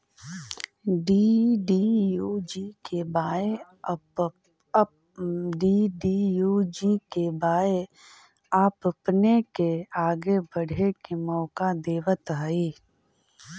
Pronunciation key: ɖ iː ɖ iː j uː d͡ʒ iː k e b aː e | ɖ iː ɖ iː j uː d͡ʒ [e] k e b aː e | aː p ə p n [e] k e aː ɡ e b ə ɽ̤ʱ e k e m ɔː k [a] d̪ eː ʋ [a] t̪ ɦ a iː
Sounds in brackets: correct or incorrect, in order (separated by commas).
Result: incorrect, correct, correct, incorrect